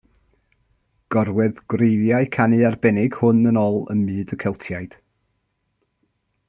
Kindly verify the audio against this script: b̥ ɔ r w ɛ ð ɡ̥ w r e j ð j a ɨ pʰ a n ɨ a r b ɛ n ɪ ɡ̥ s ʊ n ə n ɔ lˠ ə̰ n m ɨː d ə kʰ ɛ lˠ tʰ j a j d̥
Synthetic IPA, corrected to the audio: ɡ̥ ɔ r w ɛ ð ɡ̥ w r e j ð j a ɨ kʰ a n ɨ a r b ɛ n ɪ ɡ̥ h ʊ n ə n ɔ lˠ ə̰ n m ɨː d ə kʰ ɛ lˠ tʰ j a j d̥